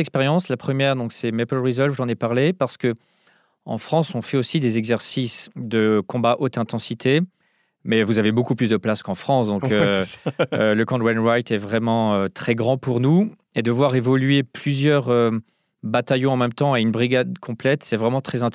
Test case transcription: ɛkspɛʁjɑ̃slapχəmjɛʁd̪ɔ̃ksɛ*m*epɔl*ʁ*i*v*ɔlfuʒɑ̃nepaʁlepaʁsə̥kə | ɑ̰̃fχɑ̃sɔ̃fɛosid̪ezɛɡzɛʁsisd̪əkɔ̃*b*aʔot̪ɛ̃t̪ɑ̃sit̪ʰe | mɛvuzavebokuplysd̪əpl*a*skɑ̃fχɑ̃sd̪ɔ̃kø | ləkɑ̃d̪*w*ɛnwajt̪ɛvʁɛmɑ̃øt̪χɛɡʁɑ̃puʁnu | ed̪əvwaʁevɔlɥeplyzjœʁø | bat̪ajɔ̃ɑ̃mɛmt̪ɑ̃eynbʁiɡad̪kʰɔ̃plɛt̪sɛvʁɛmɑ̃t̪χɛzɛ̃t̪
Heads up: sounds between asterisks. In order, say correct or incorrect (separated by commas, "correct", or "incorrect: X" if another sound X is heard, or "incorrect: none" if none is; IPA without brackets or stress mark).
correct, correct, incorrect: z, correct, correct, correct